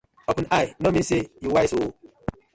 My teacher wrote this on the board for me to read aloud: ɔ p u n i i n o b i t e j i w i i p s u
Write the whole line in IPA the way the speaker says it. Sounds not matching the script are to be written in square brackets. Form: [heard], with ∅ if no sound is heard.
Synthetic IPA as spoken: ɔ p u n [a] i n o [m] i [s] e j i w [a] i [∅] s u

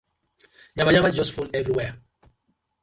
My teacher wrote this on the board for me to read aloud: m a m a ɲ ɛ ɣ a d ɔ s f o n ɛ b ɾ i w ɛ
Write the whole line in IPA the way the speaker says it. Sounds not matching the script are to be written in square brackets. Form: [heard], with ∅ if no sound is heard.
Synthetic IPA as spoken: [ɲ] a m a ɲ [a] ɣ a [d͡ʒ] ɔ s f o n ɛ [v] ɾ i w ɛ

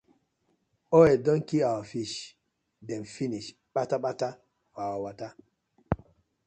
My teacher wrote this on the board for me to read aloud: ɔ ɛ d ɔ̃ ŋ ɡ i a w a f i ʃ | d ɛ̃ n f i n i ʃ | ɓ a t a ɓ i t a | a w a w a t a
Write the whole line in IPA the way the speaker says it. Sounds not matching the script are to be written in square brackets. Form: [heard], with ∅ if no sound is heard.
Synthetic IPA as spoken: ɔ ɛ d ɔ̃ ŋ [k] i a w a f i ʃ | d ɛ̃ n f i n i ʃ | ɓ a t a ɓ [a] t a | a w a w a t a

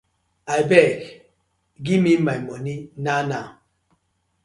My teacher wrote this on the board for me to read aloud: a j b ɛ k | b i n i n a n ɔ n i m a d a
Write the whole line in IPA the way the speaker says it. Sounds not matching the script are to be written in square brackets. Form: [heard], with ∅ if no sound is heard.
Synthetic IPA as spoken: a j b ɛ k | [ɡ] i [m] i [m] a [m] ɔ n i [n] a [n] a

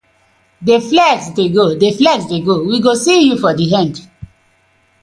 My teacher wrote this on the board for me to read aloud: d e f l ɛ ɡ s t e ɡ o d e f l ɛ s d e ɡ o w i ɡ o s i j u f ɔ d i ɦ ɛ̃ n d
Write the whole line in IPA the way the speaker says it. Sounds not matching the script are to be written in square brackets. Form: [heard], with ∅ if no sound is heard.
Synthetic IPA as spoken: d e f l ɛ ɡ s [d] e ɡ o d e f l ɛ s d e ɡ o w i ɡ o s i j u f ɔ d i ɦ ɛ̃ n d

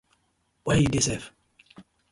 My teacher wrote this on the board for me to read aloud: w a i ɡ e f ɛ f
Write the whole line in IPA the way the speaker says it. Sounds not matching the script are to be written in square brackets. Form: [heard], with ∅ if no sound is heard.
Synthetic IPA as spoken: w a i [d] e [s] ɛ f

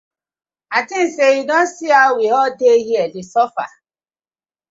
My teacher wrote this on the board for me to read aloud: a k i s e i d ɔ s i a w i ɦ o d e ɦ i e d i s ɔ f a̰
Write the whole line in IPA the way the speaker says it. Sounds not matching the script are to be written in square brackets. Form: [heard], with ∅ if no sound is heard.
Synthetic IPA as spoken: a [t] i s e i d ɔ s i a w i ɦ [ɔ] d e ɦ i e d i s ɔ f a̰

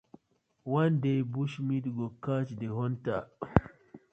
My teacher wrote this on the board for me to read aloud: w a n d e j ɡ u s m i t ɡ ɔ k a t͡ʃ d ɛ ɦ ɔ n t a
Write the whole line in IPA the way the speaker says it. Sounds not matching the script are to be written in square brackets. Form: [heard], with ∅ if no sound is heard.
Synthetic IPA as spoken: w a n d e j [b] u [ʃ] m i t ɡ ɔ k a t͡ʃ d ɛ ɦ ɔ n t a

